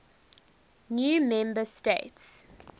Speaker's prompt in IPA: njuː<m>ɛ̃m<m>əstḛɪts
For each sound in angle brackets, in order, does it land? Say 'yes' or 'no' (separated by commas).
yes, no